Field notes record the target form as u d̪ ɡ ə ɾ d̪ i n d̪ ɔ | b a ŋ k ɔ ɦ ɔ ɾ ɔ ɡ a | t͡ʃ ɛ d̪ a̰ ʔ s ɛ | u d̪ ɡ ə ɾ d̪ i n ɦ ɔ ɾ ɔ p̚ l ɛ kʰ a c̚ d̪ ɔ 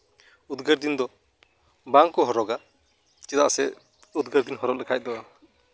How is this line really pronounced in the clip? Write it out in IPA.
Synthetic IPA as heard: u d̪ ɡ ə ɾ d̪ i n d̪ ɔ | b a ŋ k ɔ ɦ ɔ ɾ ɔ ɡ a | t͡ʃ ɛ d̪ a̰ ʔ s ɛ | u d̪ ɡ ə ɾ d̪ i n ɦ ɔ ɾ ɔ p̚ l ɛ kʰ a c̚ d̪ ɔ